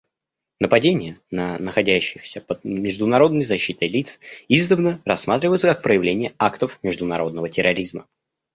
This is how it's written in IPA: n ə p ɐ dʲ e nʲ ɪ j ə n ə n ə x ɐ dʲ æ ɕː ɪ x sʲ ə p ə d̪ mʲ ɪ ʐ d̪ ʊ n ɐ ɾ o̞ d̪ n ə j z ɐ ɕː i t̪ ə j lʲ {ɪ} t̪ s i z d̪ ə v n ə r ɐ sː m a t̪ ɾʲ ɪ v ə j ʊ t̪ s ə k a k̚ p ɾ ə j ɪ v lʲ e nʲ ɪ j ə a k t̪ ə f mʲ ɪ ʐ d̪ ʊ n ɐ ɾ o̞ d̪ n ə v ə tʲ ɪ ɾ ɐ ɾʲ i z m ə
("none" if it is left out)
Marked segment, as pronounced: i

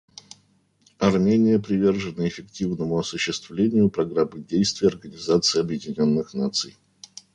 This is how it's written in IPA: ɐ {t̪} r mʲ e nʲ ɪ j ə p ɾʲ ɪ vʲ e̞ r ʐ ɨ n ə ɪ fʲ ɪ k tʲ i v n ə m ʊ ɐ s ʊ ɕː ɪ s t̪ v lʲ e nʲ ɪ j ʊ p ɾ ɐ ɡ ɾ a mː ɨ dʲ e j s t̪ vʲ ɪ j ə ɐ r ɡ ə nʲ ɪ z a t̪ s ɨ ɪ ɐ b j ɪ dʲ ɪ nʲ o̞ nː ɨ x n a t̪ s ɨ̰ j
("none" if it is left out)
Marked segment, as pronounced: none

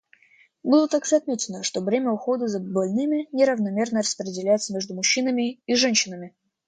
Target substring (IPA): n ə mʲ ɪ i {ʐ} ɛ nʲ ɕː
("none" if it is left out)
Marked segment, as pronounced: ʐ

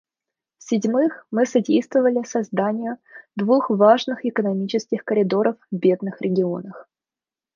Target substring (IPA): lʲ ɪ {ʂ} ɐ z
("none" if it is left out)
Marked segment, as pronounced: s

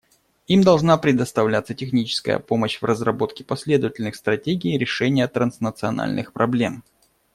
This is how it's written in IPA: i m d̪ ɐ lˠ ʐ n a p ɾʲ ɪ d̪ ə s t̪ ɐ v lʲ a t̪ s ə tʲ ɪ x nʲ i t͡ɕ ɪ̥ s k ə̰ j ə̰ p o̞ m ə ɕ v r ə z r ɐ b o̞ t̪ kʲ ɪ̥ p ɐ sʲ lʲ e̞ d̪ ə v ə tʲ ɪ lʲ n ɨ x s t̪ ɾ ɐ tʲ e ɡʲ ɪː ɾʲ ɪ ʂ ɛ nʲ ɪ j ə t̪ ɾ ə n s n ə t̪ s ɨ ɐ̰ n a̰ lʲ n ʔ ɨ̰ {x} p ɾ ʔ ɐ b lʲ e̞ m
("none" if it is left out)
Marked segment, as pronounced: x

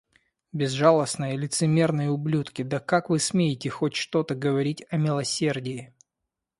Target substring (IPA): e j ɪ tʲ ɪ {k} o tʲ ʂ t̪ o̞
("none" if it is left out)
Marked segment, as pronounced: x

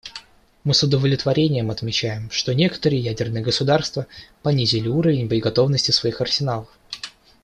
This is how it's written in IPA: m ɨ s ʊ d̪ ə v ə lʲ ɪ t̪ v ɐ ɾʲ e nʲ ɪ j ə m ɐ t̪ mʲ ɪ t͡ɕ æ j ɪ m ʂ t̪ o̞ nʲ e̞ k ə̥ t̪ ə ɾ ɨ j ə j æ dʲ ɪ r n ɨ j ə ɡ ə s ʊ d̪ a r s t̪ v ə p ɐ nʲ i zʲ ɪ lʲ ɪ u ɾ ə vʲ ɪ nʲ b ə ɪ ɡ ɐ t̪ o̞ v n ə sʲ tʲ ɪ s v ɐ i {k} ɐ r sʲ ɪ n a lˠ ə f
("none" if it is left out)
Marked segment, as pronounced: x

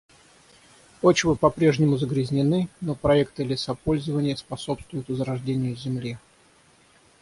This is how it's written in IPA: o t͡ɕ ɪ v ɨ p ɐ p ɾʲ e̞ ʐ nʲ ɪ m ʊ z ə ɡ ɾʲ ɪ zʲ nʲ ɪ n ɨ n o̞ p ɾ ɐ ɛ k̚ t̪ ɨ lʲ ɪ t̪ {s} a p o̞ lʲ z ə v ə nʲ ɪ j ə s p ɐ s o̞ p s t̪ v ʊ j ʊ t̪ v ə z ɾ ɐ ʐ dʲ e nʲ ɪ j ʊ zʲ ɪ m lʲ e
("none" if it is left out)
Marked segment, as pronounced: s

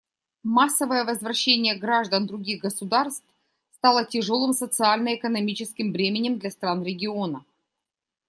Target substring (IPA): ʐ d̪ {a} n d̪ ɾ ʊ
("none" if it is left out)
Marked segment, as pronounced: ə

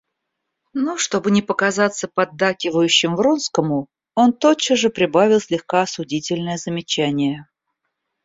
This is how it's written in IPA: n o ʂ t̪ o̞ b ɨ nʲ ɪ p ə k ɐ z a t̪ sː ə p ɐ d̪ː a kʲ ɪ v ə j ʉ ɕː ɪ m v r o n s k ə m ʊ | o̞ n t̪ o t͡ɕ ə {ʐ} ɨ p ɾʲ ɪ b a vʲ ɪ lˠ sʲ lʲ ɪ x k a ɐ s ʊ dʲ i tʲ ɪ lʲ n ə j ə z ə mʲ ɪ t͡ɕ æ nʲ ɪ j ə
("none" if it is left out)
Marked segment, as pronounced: ʐ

